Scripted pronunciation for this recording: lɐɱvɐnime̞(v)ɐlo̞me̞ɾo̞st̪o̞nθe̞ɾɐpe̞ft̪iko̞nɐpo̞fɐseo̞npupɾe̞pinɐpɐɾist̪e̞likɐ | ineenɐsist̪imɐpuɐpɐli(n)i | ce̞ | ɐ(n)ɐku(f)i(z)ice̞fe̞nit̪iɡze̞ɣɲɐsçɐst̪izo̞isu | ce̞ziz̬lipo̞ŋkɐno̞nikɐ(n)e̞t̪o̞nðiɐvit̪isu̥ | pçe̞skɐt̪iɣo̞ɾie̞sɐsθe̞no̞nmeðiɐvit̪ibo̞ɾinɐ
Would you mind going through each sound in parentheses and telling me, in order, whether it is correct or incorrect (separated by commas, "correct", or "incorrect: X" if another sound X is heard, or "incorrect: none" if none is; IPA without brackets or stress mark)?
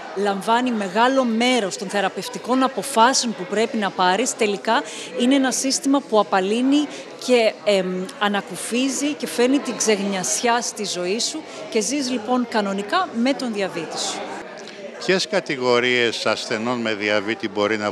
incorrect: ɣ, correct, correct, correct, correct, incorrect: m